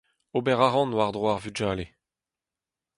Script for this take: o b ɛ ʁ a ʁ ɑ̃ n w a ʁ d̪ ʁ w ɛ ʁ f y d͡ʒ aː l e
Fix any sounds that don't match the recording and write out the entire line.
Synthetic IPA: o b ɛ ʁ a ʁ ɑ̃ n w a ʁ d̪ ʁ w a ʁ v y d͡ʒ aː l e